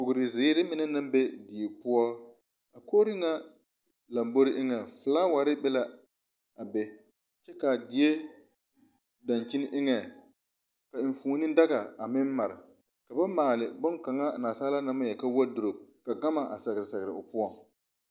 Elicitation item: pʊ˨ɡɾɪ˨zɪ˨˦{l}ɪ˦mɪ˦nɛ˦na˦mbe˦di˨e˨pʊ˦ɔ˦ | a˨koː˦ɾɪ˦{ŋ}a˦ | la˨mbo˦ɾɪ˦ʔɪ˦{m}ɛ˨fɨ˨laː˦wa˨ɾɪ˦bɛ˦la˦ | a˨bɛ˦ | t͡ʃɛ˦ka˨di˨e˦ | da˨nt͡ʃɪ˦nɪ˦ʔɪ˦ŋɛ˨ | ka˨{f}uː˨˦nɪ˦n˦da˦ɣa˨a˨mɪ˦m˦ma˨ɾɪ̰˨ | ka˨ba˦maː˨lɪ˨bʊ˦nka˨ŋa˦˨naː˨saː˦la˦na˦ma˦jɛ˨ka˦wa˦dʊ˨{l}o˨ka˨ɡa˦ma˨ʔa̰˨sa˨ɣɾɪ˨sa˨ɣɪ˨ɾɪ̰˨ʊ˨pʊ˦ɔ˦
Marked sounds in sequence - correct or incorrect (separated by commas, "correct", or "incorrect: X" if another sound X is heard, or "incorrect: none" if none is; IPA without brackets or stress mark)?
incorrect: ɾ, correct, incorrect: ŋ, correct, incorrect: ɾ